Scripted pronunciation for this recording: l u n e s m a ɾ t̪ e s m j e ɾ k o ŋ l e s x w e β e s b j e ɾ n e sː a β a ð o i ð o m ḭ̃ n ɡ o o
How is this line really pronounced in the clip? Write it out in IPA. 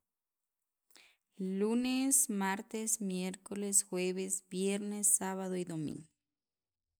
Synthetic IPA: l u n e s m a ɾ t̪ e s m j e ɾ k o l e s x w e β e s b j e ɾ n e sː a β a ð o i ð o m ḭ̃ ŋ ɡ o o

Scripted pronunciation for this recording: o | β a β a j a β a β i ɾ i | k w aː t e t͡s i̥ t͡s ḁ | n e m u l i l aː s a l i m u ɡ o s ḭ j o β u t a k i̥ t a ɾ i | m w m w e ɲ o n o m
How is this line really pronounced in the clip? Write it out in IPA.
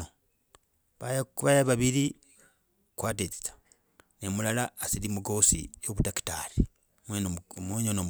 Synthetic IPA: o | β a β a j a β a β i ɾ i | k w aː t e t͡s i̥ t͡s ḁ | n e m u l a l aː s i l i m u ɡ o s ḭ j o β u t a k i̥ t a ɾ i | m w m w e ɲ o n o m

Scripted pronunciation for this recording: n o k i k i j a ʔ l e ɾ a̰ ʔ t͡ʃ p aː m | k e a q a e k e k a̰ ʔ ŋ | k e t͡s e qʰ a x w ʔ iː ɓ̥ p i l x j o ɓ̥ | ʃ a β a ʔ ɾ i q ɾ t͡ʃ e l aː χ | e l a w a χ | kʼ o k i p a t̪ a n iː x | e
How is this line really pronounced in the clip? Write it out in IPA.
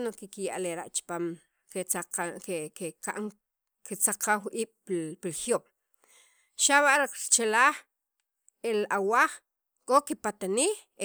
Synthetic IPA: n o k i k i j a ʔ l e ɾ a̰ ʔ t͡ʃ p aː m | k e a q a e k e k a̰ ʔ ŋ | k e t͡s a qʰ a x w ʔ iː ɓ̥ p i l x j o ɓ̥ | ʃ a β a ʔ ɾ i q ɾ t͡ʃ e l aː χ | e l a w a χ | kʼ o k i p a t̪ a n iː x | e

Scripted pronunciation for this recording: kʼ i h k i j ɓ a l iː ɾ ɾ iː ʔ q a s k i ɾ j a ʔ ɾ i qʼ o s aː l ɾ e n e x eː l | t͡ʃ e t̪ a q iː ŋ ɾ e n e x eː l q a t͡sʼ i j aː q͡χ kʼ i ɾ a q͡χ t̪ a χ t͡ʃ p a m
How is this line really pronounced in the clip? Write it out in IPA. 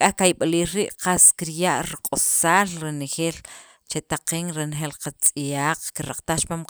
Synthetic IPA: kʼ a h k a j ɓ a l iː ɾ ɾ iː ʔ q a s k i ɾ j a ʔ ɾ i qʼ o s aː l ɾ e n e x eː l | t͡ʃ e t̪ a q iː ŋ ɾ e n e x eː l q a t͡sʼ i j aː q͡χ k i ɾ a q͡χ t̪ a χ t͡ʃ p a m

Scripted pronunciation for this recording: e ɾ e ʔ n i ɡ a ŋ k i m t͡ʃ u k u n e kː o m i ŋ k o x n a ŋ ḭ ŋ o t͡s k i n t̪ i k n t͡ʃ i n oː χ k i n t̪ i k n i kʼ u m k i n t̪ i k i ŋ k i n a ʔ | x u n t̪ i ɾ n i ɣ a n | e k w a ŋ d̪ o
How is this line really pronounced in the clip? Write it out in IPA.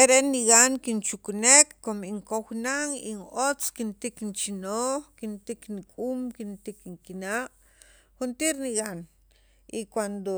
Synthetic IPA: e ɾ e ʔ n i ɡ a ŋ k i n t͡ʃ u k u n e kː o m i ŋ k o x n a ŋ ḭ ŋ o t͡s k i n t̪ i k n t͡ʃ i n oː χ k i n t̪ i k n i kʼ u m k i n t̪ i k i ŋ k i n a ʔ | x u n t̪ i ɾ n i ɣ a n | i k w a n d̪ o

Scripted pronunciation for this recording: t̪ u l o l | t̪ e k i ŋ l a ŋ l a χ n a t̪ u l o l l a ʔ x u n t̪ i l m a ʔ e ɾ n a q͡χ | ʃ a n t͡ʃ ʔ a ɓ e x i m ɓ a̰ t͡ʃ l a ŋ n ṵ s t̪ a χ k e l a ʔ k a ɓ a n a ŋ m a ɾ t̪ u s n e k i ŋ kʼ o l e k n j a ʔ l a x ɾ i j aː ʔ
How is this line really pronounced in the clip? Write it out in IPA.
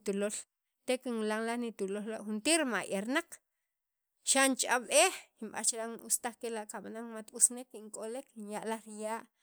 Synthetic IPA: t̪ u l o l | t̪ e k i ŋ l a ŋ l a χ n i t̪ u l o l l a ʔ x u n t̪ i ɾ m a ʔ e ɾ n a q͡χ | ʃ a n t͡ʃ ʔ a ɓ e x i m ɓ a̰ t͡ʃ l a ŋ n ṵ s t̪ a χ k e l a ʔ k a ɓ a n a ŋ m a t̪ u s n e k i ŋ kʼ o l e k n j a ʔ l a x ɾ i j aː ʔ

